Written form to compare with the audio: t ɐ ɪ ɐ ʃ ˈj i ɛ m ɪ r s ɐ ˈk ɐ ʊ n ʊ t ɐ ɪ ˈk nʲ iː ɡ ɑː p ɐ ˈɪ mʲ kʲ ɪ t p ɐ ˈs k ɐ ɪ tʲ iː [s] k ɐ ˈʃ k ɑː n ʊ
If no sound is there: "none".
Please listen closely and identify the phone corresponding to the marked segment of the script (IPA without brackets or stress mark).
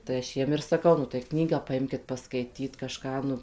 t